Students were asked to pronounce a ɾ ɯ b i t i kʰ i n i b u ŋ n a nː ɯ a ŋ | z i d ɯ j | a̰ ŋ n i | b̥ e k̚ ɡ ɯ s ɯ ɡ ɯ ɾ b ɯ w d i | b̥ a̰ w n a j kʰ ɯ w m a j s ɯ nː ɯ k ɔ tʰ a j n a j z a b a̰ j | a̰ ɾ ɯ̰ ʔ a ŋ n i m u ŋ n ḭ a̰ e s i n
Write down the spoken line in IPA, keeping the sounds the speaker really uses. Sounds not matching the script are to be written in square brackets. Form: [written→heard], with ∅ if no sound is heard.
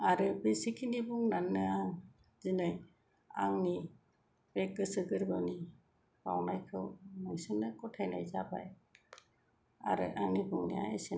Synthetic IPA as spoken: a ɾ ɯ b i [t→s] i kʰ i n i b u ŋ n a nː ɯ a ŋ | z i [d→n] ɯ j | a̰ ŋ n i | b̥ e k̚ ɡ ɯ s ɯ ɡ ɯ ɾ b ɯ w [d→n] i | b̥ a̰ w n a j kʰ ɯ w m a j s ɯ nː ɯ k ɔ tʰ a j n a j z a b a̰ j | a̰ ɾ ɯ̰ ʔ a ŋ n i [m→b] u ŋ n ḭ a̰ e s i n